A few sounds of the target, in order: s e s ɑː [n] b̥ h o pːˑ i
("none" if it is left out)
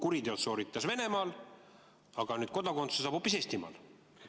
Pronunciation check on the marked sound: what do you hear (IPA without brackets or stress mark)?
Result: none